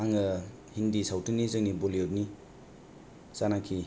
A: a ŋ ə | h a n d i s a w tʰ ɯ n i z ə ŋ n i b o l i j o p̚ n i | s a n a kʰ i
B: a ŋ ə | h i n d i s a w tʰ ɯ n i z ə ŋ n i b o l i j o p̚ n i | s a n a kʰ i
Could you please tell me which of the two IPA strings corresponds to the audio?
B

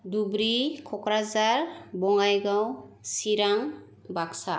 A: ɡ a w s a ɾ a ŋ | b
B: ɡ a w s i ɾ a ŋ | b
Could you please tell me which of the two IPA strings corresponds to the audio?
B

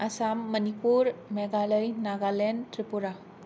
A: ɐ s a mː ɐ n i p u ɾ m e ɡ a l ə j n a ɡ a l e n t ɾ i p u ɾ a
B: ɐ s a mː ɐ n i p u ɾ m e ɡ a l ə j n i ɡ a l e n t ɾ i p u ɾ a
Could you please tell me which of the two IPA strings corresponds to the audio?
A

